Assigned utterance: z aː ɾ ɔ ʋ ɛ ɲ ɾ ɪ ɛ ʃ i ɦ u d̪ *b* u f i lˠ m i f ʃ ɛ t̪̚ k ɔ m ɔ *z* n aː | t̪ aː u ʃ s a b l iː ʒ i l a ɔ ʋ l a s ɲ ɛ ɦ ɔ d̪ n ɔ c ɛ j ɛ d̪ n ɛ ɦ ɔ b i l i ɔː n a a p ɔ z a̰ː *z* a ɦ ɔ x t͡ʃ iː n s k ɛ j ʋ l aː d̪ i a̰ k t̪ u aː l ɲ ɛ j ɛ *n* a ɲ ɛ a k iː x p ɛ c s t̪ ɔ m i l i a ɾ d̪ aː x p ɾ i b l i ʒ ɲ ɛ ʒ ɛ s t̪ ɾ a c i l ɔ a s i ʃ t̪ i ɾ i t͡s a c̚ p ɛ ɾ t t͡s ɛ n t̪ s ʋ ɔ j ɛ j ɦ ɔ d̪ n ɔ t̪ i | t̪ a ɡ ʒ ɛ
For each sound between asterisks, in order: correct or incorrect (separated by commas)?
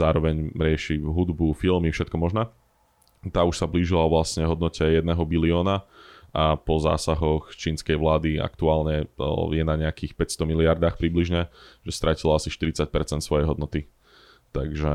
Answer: correct, incorrect, incorrect, correct